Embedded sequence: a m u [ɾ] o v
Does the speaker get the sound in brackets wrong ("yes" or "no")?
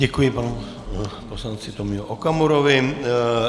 no